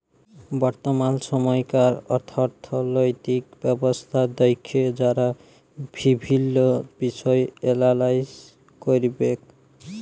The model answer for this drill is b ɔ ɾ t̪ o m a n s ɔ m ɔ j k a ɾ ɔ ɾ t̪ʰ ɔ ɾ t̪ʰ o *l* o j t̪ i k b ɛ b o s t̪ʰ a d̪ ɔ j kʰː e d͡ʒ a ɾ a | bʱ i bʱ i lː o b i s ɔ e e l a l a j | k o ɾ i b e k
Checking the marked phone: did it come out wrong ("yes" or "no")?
no